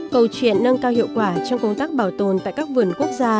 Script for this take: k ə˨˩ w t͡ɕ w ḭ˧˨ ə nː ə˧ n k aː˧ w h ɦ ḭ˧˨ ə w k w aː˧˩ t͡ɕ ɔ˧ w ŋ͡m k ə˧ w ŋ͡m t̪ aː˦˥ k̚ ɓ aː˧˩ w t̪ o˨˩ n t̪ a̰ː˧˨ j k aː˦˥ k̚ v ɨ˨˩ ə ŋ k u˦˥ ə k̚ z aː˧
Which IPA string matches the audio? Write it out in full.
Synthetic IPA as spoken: k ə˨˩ w t͡ɕ w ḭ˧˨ ə nː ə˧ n k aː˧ w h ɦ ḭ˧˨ ə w k w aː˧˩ t͡ɕ ɔ˧ w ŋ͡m k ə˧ w ŋ͡m t̪ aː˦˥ k̚ ɓ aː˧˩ w t̪ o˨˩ n t̪ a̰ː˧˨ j k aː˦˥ k̚ v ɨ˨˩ ə n k u˦˥ ə k̚ z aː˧